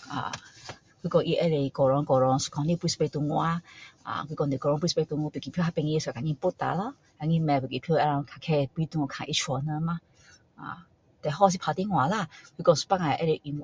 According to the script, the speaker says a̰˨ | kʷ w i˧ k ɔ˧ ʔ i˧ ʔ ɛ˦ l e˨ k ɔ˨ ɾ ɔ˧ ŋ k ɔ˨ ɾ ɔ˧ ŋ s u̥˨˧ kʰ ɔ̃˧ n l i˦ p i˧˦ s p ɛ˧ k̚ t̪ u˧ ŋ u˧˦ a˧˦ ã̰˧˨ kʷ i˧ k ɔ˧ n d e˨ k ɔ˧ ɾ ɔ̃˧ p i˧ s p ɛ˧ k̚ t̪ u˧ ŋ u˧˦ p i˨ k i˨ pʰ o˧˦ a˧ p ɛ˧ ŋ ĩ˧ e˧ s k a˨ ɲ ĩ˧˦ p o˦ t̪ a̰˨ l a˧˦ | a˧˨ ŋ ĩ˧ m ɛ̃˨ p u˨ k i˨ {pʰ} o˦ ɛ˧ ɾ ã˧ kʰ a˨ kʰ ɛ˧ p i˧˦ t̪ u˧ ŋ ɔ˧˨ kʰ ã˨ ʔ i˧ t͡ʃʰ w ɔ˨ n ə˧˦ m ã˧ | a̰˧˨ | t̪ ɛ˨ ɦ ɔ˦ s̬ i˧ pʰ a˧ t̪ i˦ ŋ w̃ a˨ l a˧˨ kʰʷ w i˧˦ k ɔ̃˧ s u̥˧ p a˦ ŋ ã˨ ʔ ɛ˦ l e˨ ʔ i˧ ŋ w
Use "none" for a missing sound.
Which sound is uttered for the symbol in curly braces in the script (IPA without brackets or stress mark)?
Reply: pʰ